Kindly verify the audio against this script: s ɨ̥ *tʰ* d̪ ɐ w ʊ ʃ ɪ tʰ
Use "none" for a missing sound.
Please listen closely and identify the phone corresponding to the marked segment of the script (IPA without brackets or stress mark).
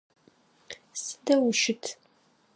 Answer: none